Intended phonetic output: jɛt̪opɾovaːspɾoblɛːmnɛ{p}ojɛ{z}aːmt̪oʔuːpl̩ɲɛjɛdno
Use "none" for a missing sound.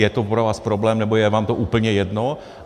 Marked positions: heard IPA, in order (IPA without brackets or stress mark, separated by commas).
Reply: b, v